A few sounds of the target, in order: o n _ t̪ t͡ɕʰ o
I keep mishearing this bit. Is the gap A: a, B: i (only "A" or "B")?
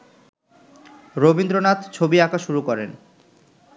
A